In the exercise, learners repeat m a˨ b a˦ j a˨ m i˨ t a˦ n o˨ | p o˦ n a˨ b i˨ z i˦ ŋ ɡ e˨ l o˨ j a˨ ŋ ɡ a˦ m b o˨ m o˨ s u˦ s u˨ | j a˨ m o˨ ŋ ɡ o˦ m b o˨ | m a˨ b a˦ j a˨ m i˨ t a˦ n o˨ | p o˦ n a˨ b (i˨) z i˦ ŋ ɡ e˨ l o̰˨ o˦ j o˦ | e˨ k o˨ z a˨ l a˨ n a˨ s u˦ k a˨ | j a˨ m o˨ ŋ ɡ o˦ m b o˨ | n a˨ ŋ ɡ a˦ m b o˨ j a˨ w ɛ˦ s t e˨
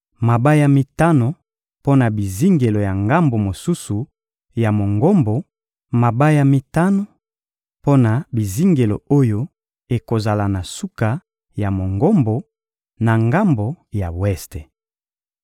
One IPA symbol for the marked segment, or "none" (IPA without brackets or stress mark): i˨